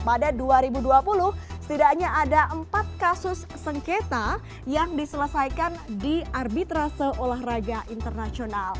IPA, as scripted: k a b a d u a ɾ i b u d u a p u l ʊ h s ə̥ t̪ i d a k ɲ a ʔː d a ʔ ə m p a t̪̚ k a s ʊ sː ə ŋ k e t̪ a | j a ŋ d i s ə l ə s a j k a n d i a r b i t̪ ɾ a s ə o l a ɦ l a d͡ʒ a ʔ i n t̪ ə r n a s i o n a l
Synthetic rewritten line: p a d a d u a ɾ i b u d u a p u l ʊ h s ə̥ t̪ i d a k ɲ a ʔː d a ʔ ə m p a t̪̚ k a s ʊ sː ə ŋ k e t̪ a | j a ŋ d i s ə l ə s a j k a n d i a r b i t̪ ɾ a s ə o l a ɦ r a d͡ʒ a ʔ i n t̪ ə r n a s i o n a l

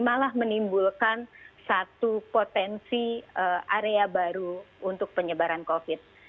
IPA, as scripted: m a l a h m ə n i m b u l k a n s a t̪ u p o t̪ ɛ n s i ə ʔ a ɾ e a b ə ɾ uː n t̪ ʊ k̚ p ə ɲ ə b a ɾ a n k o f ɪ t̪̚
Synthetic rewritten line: m a l a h m ə n i m b u l k a n s a t̪ u p o t̪ ɛ n s i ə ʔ a ɾ e a b a ɾ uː n t̪ ʊ k̚ p ə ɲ ə b a ɾ a n k o f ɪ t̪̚

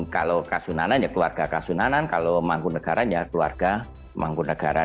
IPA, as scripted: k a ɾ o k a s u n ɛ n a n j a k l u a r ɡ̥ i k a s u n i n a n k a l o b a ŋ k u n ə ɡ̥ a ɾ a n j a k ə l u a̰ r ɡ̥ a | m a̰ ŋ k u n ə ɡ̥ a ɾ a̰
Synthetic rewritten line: k a l o k a s u n a n a n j a k l u a r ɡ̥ a k a s u n a n a n k a l o m a ŋ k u n ə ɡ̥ a ɾ a n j a k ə l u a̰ r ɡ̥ a | m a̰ ŋ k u n ə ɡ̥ a ɾ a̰

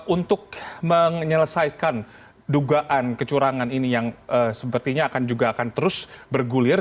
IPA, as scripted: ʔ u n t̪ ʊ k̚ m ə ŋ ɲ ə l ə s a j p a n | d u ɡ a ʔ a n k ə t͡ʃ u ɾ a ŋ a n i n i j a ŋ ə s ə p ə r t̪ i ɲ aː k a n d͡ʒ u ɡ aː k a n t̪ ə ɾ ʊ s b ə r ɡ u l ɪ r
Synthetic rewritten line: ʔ u n t̪ ʊ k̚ m ə ŋ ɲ ə l ə s a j k a n | d u ɡ a ʔ a n k ə t͡ʃ u ɾ a ŋ a n i n i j a ŋ ə s ə p ə r t̪ i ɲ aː k a n d͡ʒ u ɡ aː k a n t̪ ə ɾ ʊ s b ə r ɡ u l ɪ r

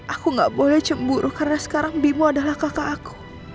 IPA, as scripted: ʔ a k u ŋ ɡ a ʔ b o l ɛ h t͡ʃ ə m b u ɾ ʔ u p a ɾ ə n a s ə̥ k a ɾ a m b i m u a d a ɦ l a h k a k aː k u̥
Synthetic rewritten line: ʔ a k u ŋ ɡ a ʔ b o l ɛ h t͡ʃ ə m b u ɾ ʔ u k a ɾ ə n a s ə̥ k a ɾ a ŋ b i m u a d a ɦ l a h k a k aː k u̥

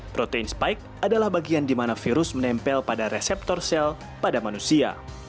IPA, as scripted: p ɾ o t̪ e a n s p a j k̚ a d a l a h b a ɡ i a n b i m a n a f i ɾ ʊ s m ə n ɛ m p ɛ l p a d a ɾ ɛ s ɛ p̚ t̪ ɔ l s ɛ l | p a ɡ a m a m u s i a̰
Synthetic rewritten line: p ɾ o t̪ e i n s p a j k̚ a d a l a h b a ɡ i a n d i m a n a f i ɾ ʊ s m ə n ɛ m p ɛ l p a d a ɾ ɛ s ɛ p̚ t̪ ɔ r s ɛ l | p a d a m a n u s i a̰

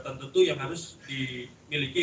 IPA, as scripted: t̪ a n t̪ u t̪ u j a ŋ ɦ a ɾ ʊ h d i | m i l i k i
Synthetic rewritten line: t̪ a n t̪ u t̪ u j a ŋ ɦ a ɾ ʊ s d i | m i l i k i

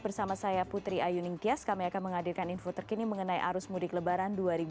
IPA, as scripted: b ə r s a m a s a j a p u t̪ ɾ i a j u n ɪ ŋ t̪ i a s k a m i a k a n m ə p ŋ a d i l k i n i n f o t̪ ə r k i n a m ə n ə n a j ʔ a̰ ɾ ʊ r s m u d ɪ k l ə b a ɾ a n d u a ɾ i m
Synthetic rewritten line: b ə r s a m a s a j a p u t̪ ɾ i a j u n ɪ ŋ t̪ i a s k a m i a k a n m ə ŋ a d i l k a n i n f o t̪ ə r k i n i m ə ŋ ə n a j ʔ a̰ ɾ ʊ s m u d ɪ k l ə b a ɾ a n d u a ɾ i b

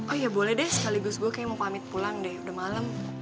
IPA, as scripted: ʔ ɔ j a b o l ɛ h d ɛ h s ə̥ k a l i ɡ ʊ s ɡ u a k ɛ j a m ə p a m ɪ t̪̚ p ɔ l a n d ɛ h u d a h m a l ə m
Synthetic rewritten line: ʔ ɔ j a b o l ɛ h d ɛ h s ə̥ k a l i ɡ ʊ s ɡ u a k a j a m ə p a m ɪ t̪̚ p u l a ŋ d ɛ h u d a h m a l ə m

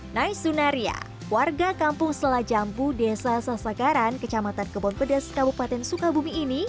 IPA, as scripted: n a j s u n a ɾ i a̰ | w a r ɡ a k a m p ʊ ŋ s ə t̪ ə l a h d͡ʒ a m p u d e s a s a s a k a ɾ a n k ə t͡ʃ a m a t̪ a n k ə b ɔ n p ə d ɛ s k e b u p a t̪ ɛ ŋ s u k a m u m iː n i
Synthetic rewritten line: n a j s u n a ɾ i a̰ | w a r ɡ a k a m p ʊ ŋ s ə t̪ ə l a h d͡ʒ a m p u d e s a s a s a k a ɾ a n k ə t͡ʃ a m a t̪ a n k ə b ɔ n p ə d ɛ s k a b u p a t̪ ɛ n s u k a b u m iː n i

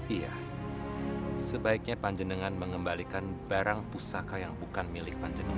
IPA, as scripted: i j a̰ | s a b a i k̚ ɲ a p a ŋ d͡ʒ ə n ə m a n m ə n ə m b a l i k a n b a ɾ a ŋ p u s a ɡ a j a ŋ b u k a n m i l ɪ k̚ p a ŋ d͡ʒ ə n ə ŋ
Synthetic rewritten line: i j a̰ | s ə b a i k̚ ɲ a p a ɲ d͡ʒ ə n ə ŋ a n m ə ŋ ə m b a l i k a n b a ɾ a ŋ p u s a k a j a ŋ b u k a n m i l ɪ k̚ p a ɲ d͡ʒ ə n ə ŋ

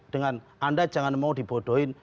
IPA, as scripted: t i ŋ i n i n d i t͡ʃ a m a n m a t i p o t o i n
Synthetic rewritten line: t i ŋ a n a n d a t͡ʃ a ŋ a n m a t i p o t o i n

